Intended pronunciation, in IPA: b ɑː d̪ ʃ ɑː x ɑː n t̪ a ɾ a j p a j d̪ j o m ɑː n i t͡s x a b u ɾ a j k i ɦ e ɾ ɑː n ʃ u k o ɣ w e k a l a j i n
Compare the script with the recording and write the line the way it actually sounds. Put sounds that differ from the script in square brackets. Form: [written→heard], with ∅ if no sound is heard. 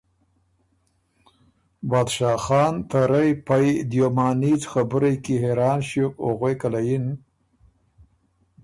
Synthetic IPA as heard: b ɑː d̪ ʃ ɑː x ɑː n t̪ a ɾ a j p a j d̪ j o m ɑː n i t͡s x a b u ɾ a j k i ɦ e ɾ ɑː n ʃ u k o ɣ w e k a l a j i n